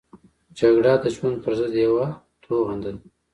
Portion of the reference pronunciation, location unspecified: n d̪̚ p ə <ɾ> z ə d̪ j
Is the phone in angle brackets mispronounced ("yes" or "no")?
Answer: no